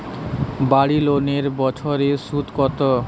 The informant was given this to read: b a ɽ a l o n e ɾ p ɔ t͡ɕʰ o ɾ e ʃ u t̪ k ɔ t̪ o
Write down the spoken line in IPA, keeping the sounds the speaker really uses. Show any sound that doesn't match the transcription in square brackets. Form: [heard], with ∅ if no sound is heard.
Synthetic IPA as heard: b a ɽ [i] l o n e ɾ [b] ɔ t͡ɕʰ o ɾ e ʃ u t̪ k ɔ t̪ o